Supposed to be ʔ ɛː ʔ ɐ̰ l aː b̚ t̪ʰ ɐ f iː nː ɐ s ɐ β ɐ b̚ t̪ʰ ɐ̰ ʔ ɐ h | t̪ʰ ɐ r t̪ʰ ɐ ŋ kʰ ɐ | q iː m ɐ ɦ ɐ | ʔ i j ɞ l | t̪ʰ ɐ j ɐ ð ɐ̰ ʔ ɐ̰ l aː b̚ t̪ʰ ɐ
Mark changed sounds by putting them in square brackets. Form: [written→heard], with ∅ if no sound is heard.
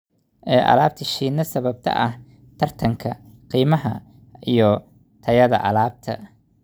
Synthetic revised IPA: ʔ ɛː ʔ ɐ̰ l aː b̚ t̪ʰ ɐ [f→ʃ] iː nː ɐ s ɐ β ɐ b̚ t̪ʰ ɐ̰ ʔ ɐ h | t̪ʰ ɐ r t̪ʰ ɐ ŋ kʰ ɐ | q iː m ɐ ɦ ɐ | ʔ i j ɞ [l→∅] | t̪ʰ ɐ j ɐ ð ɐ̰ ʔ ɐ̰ l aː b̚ t̪ʰ ɐ

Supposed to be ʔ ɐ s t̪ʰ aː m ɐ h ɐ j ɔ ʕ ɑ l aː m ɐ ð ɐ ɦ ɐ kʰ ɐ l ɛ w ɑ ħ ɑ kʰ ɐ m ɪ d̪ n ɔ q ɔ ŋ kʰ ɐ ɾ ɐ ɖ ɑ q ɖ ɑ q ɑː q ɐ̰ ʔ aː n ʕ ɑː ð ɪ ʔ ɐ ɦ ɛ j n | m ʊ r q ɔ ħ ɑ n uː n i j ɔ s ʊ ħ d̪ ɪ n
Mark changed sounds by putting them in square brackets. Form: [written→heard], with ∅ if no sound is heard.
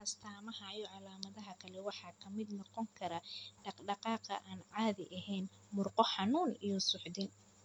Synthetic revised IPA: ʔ ɐ s t̪ʰ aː m ɐ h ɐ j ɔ ʕ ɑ l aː m ɐ ð ɐ ɦ ɐ kʰ ɐ l ɛ w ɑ ħ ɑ kʰ ɐ m ɪ d̪ n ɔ q ɔ ŋ kʰ ɐ ɾ ɐ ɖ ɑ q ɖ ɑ q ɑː q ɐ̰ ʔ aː n ʕ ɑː ð ɪ ʔ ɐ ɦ ɛ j n | m ʊ r q ɔ ħ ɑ n uː n i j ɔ s ʊ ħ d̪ ɪ n

